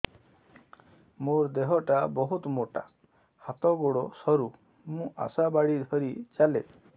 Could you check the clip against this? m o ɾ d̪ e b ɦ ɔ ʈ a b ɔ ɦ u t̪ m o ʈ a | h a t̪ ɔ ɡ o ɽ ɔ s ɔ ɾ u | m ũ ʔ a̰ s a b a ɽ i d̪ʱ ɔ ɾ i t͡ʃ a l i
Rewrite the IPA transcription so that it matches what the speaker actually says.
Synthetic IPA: m o ɾ d̪ e ɦ ɔ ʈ a b ɔ ɦ u t̪ m o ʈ a | h a t̪ ɔ ɡ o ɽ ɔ s ɔ ɾ u | m ũ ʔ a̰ s a b a ɽ i d̪ʱ ɔ ɾ i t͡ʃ a l e